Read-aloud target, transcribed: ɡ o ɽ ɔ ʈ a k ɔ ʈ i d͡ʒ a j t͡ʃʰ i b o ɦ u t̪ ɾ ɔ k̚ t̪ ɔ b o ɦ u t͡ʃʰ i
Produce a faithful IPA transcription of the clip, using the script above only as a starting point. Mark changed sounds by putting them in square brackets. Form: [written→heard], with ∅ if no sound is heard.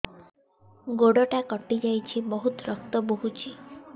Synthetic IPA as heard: ɡ o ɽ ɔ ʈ a k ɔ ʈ i d͡ʒ a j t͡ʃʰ i b [o→ɔ] ɦ u t̪ ɾ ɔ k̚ t̪ ɔ b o ɦ u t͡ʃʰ i